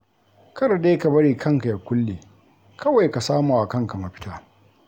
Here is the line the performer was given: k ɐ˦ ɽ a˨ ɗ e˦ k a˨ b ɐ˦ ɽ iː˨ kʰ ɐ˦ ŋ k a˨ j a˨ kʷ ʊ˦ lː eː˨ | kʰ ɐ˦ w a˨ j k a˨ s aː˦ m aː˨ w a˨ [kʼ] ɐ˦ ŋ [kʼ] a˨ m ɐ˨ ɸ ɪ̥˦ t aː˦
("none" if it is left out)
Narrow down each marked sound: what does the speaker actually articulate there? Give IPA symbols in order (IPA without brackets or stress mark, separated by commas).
k, k